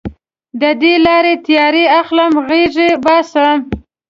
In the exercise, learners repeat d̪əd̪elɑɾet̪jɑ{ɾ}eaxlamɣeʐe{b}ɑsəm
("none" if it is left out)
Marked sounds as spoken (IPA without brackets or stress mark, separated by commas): ɾ, b